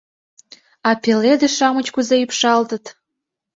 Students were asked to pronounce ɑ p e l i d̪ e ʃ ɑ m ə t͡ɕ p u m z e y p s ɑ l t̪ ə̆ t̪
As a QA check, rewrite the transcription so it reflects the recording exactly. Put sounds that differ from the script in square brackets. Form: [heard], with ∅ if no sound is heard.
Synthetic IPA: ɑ p e l [e] d̪ e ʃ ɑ m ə t͡ɕ [k] u [∅] z e y p [ʃ] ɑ l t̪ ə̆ t̪